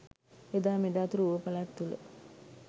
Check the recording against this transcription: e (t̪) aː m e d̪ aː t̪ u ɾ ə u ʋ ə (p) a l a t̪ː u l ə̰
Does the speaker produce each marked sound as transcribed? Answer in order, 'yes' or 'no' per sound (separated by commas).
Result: no, yes